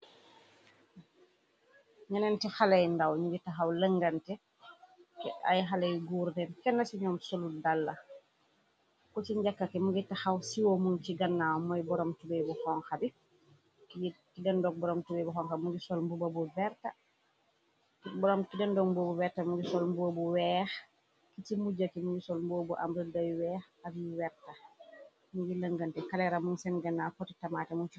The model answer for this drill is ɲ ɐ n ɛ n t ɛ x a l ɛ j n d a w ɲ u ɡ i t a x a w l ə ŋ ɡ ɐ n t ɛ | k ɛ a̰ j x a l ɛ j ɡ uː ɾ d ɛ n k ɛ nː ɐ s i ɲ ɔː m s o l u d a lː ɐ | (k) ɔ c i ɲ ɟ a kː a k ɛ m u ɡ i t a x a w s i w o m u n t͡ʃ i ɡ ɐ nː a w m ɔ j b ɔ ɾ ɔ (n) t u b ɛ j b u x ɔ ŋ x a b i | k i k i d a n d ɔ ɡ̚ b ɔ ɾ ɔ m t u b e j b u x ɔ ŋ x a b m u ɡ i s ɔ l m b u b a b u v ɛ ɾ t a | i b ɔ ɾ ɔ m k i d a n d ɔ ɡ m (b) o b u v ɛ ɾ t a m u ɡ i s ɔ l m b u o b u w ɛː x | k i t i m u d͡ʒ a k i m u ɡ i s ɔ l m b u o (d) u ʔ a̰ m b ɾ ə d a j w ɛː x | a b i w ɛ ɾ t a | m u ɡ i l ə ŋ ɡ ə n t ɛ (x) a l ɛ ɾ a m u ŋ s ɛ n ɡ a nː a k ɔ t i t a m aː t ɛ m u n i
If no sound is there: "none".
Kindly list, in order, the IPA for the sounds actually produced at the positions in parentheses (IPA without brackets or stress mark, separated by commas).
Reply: k, m, b, b, k